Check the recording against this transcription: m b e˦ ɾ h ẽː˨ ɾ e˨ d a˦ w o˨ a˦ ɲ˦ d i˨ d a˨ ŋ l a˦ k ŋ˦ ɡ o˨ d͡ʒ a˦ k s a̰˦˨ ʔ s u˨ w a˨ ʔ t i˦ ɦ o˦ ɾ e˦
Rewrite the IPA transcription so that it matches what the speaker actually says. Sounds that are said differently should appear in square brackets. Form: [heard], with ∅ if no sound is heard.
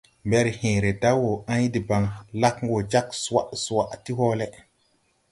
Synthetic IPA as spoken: m b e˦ ɾ h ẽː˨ ɾ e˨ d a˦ w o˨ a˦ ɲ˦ d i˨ [b] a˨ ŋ l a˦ k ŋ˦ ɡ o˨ d͡ʒ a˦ k s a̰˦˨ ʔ s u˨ w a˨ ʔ t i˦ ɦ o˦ [l] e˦